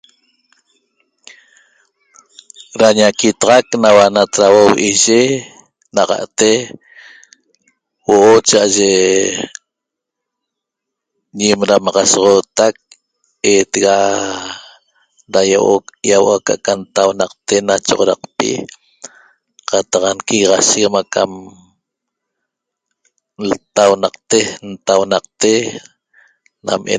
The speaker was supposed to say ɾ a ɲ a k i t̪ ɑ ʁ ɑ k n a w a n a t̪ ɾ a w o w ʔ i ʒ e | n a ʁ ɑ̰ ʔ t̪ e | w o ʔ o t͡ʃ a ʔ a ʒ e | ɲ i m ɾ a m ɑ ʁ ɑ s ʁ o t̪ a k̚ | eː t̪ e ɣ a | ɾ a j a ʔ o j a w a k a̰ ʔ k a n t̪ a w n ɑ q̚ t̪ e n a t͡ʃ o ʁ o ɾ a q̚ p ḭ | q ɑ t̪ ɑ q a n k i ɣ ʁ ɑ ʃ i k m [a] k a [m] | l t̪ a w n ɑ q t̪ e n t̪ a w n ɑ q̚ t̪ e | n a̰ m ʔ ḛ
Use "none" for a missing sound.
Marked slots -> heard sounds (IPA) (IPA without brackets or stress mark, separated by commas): a, m